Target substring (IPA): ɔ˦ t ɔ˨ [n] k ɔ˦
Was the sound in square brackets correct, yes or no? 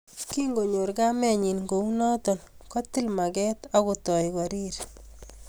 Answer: yes